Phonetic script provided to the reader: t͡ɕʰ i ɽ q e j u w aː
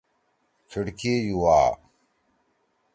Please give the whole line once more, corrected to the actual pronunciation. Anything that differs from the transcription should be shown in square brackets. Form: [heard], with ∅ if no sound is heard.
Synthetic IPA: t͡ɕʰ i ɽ [k] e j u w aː